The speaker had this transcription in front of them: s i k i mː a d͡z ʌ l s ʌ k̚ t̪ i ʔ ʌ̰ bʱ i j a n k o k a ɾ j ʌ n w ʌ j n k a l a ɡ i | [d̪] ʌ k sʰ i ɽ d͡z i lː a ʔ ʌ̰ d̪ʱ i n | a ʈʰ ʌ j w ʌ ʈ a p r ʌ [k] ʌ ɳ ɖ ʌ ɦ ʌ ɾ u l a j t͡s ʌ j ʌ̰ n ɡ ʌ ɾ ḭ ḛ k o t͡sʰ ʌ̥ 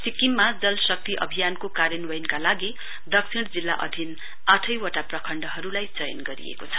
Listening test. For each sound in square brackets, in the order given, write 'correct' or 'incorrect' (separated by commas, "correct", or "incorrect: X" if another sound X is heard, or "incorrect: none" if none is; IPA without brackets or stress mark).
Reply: correct, incorrect: kʰ